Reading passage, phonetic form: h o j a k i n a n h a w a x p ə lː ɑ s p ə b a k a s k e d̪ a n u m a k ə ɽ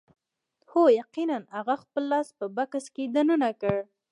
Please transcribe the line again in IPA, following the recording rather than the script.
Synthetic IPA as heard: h o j a q i n a n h a ɣ a x p ə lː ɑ s p ə b a k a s k e d̪ a n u n a k ə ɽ